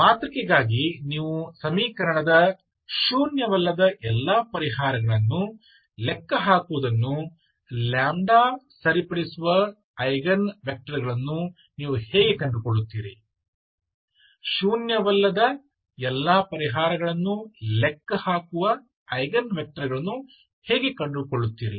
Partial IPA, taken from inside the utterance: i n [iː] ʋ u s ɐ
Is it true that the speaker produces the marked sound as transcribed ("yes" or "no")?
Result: yes